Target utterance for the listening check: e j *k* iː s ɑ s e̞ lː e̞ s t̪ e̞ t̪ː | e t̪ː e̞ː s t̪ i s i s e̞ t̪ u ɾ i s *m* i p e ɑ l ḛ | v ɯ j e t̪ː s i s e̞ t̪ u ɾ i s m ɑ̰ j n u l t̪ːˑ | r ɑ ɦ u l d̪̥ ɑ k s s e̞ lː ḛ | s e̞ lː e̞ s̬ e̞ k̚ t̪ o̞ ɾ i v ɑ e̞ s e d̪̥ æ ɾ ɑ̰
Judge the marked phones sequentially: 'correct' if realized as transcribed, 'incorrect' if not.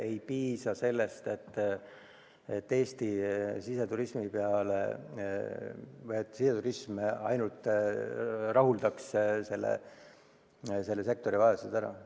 incorrect: p, correct

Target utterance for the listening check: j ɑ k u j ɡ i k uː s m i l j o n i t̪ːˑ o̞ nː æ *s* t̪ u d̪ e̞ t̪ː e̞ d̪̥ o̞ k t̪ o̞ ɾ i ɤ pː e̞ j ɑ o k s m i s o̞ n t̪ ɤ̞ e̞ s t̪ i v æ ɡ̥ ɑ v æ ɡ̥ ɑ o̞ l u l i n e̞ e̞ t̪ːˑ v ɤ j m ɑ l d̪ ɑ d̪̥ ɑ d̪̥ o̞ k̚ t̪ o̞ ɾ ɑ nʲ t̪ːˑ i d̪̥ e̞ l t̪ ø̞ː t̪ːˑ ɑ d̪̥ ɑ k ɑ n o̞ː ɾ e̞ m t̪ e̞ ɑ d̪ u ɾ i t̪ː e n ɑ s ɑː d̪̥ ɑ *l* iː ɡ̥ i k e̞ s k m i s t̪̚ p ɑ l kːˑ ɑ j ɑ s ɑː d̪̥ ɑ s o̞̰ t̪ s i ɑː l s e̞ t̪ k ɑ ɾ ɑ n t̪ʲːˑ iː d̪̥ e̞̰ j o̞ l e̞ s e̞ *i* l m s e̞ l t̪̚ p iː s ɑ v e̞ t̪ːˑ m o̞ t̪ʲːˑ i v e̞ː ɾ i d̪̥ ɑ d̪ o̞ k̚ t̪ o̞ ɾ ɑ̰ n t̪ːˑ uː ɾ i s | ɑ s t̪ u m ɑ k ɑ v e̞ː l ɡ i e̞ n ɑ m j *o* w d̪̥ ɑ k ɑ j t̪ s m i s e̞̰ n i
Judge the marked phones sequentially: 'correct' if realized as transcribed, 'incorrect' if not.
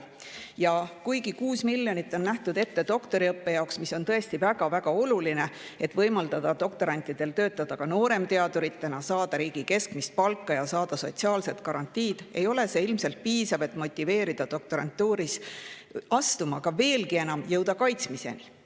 incorrect: h, incorrect: ɾ, correct, incorrect: ɤ

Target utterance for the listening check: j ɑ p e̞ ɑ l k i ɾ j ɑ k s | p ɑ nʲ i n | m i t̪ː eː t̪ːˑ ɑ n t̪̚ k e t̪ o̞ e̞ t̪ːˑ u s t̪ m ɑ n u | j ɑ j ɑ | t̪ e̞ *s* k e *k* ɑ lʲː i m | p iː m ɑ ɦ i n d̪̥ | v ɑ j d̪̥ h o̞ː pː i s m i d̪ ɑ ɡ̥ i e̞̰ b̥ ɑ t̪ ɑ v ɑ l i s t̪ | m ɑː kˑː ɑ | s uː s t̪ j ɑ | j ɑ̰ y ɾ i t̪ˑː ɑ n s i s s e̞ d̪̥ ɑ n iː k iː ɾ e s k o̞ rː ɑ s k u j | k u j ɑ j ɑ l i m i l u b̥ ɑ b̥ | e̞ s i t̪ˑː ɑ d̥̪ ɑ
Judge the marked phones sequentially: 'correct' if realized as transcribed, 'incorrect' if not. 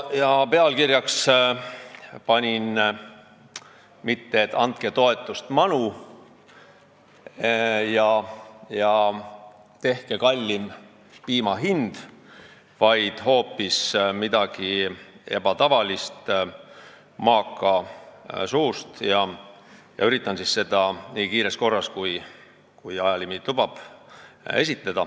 incorrect: h, correct

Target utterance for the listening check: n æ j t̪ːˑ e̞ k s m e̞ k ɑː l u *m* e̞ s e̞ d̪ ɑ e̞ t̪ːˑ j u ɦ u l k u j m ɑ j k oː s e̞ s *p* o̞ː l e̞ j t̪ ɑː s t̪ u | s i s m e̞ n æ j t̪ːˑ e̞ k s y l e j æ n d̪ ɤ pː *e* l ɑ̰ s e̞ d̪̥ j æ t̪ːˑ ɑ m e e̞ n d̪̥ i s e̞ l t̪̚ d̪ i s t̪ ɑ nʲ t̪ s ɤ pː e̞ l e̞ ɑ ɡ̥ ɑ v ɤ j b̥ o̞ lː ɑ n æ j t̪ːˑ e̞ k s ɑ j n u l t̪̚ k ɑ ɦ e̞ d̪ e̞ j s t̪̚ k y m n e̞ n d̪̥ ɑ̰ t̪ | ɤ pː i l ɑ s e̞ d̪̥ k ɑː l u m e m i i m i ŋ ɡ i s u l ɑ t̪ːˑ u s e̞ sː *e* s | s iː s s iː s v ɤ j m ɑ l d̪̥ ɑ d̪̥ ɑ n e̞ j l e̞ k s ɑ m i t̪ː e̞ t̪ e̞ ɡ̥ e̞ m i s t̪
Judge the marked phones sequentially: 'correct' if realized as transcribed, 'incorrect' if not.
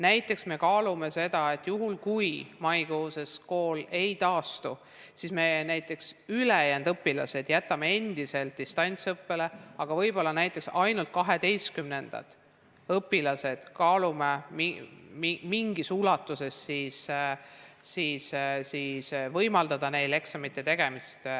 correct, incorrect: k, incorrect: i, incorrect: i

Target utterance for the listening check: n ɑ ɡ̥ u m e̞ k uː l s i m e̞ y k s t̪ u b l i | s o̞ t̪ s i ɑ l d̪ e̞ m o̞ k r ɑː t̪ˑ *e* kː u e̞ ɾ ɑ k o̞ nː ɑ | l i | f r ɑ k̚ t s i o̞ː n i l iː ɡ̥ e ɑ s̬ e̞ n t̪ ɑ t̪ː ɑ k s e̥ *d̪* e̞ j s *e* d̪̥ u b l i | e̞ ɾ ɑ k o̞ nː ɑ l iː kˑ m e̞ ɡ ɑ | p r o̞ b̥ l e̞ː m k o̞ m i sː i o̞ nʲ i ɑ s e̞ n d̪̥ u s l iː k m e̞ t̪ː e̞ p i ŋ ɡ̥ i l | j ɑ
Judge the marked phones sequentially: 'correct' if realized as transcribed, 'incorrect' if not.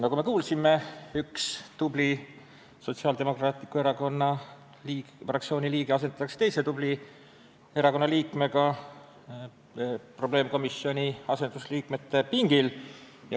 incorrect: i, incorrect: t̪, correct

